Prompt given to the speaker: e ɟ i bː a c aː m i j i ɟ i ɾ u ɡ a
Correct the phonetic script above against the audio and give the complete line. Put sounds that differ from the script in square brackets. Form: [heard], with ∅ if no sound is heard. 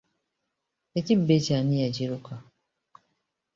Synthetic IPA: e [c] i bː [e] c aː [n] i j [a] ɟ i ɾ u [k] a